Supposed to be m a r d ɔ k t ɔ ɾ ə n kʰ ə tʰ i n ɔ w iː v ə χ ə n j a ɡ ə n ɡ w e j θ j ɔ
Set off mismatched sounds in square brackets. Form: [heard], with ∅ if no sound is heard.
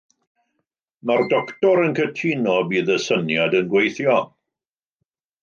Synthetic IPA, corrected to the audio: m a r d ɔ k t ɔ ɾ ə n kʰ ə tʰ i n ɔ [b] iː [ð] ə [s] ə n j a [d] ə n ɡ w e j θ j ɔ